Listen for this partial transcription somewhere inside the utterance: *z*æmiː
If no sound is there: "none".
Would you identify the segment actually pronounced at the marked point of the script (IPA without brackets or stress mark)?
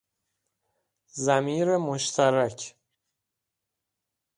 z